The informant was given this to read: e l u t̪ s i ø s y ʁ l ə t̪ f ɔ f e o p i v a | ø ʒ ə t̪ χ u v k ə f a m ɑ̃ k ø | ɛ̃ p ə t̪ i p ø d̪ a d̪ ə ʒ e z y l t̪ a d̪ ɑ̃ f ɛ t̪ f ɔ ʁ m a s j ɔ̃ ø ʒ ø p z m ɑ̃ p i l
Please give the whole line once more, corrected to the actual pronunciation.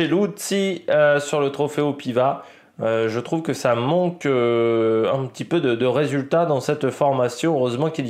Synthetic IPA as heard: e l u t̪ s i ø s y ʁ l ə t̪ χ ɔ f e o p i v a | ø ʒ ə t̪ χ u v k ə s a m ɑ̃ k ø | ɛ̃ p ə t̪ i p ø d̪ ə d̪ ə ʁ e z y l t̪ a d̪ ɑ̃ s ɛ t̪ f ɔ ʁ m a s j ɔ̃ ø ʁ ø z m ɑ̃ k i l